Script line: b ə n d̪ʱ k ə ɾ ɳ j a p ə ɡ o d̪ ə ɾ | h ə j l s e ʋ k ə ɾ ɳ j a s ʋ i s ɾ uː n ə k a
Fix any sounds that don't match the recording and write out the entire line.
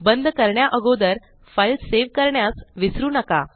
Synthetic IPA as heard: b ə n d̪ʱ k ə ɾ ɳ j a ʔ ə ɡ o d̪ ə ɾ | f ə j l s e ʋ k ə ɾ ɳ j a s ʋ i s ɾ uː n ə k a